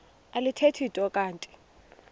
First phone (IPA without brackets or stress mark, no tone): a